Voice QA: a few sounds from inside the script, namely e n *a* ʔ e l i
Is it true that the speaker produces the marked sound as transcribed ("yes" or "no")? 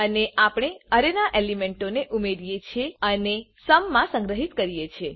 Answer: yes